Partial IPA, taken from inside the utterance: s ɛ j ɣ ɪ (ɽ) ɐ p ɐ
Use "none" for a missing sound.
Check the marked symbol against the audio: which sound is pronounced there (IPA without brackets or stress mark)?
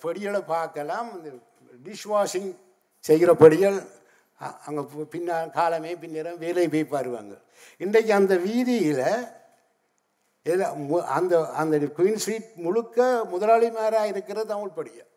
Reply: ɾ